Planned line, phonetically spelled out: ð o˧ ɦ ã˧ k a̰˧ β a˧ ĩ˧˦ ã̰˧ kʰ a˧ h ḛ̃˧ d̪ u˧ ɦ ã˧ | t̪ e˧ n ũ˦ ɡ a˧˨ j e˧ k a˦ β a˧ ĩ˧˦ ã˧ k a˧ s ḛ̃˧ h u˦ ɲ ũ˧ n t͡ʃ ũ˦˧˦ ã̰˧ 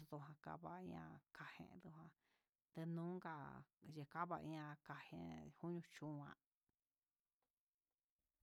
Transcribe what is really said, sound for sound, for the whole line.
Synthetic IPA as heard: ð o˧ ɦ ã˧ k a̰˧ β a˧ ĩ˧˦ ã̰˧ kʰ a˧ h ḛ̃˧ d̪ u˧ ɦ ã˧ | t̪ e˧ n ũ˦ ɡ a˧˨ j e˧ k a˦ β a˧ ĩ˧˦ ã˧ k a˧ h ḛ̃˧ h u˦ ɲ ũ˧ t͡ʃ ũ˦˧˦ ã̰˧